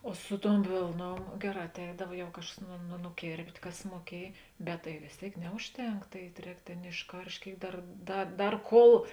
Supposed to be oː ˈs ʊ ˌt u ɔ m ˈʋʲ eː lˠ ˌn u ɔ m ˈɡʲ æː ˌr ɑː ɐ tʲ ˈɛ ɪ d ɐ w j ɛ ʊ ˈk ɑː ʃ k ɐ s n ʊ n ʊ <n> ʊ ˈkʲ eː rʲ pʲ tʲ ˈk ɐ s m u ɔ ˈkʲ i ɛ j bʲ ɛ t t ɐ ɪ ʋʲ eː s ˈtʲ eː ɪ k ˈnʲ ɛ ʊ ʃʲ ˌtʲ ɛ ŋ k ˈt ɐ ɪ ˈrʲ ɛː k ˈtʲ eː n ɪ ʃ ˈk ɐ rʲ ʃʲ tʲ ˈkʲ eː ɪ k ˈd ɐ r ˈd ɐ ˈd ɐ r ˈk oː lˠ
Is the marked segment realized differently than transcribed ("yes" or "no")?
no